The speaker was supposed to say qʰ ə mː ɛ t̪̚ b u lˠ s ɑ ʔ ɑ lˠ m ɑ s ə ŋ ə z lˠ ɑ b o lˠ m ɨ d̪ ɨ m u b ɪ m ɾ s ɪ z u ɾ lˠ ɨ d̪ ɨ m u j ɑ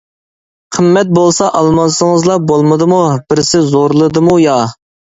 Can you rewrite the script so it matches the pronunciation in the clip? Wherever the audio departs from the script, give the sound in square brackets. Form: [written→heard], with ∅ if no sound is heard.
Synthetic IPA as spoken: qʰ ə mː ɛ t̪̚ b [u→o] lˠ s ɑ ʔ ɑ lˠ m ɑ s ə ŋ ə z lˠ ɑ b o lˠ m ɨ d̪ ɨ m u b ɪ [m→∅] ɾ s ɪ z [u→o] ɾ lˠ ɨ d̪ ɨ m u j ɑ